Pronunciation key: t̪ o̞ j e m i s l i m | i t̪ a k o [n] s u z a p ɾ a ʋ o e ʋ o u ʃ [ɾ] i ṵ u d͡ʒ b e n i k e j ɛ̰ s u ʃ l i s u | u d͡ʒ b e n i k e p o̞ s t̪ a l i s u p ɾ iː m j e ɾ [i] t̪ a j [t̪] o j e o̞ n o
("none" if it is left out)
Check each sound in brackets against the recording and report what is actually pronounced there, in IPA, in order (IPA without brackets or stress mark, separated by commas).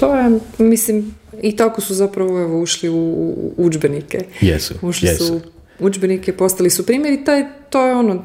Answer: none, l, i, t̪